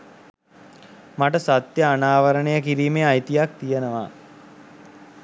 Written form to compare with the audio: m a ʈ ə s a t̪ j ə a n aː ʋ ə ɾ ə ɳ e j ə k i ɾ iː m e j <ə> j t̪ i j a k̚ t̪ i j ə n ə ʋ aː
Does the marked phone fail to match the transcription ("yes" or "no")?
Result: yes